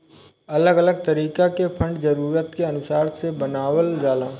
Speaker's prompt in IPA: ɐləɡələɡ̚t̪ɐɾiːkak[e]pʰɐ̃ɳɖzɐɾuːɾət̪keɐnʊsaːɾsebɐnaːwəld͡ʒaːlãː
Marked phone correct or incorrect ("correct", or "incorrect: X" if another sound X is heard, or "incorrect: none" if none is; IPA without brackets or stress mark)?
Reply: correct